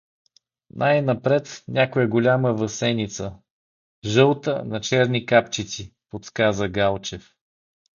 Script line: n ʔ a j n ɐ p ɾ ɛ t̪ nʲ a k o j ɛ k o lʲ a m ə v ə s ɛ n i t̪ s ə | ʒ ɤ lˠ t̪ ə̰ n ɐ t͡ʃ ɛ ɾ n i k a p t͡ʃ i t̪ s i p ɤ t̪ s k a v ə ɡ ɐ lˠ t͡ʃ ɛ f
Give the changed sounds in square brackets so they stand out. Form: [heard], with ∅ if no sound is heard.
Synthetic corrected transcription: n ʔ a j n ɐ p ɾ ɛ t̪ nʲ a k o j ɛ [ɡ] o lʲ a m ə v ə s ɛ n i t̪ s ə | ʒ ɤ lˠ t̪ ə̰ n ɐ t͡ʃ ɛ ɾ n i k a p t͡ʃ i t̪ s i p [o] t̪ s k a [z] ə ɡ [a] lˠ t͡ʃ ɛ f

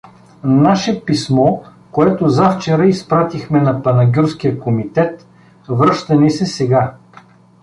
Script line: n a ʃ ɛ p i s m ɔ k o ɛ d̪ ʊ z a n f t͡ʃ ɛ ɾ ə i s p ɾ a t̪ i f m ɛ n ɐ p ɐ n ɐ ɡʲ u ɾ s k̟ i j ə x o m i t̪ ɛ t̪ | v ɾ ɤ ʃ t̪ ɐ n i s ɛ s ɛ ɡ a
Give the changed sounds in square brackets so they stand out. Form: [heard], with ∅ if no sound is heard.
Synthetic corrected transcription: n a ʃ ɛ p i s m ɔ k o ɛ [t̪] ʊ z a [∅] f t͡ʃ ɛ ɾ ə i s p ɾ a t̪ i [x] m ɛ n ɐ p ɐ n ɐ ɡʲ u ɾ s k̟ i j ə [k] o m i t̪ ɛ t̪ | v ɾ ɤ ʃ t̪ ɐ n i s ɛ s ɛ ɡ a

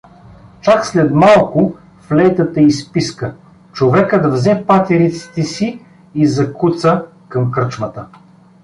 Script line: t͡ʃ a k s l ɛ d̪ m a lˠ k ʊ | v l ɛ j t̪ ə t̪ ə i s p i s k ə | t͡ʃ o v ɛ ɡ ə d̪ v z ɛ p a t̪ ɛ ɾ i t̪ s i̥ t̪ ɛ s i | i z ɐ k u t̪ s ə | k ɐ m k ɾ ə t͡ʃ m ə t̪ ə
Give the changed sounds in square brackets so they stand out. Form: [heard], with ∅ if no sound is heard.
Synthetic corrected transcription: t͡ʃ a k s l ɛ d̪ m a lˠ k ʊ | [f] l ɛ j t̪ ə t̪ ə i s p i s k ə | t͡ʃ o v ɛ [k] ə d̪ v z ɛ p a t̪ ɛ ɾ i t̪ s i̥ t̪ ɛ s i | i z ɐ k u t̪ s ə | k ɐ m k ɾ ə t͡ʃ m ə t̪ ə

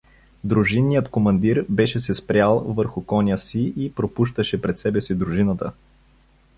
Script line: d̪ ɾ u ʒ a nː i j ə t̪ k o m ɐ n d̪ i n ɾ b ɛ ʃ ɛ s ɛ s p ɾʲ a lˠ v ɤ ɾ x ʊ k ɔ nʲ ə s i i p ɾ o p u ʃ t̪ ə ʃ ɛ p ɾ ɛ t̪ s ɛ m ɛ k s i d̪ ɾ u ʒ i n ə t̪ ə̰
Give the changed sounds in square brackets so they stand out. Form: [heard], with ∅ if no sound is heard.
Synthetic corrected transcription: d̪ ɾ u ʒ [i] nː i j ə t̪ k o m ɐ n d̪ i [∅] ɾ b ɛ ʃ ɛ s ɛ s p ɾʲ a lˠ v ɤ ɾ x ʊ k ɔ nʲ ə s i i p ɾ o p u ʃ t̪ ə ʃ ɛ p ɾ ɛ t̪ s ɛ [b] ɛ [∅] s i d̪ ɾ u ʒ i n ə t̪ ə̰

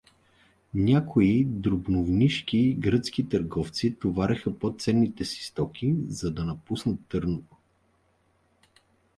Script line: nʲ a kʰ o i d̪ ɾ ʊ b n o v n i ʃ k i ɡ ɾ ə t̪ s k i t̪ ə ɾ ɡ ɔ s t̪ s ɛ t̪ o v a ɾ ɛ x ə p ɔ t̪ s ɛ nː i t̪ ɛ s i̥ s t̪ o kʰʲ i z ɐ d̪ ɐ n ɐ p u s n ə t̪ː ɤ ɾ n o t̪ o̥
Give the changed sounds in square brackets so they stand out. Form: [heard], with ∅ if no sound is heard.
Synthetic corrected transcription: nʲ a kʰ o i d̪ ɾ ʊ b n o v n i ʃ k i ɡ ɾ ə t̪ s k i t̪ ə ɾ ɡ ɔ [f] t̪ s [i] t̪ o v a ɾ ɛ x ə p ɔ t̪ s ɛ nː i t̪ ɛ s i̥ s t̪ [ɔ] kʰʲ i z ɐ d̪ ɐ n ɐ p u s n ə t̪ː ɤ ɾ n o t̪ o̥

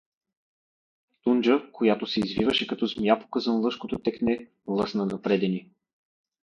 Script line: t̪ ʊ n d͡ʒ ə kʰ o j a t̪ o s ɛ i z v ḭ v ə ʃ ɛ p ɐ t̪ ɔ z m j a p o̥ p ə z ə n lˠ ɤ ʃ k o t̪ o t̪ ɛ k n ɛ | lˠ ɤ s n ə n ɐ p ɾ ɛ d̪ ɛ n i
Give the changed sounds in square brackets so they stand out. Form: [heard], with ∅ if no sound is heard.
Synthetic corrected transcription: t̪ [u] n d͡ʒ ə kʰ o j a t̪ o s ɛ i z v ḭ v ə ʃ ɛ [k] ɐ t̪ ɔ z m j a p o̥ [k] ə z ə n lˠ ɤ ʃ k o t̪ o t̪ ɛ k n ɛ | lˠ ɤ s n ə n ɐ p ɾ ɛ d̪ ɛ n i

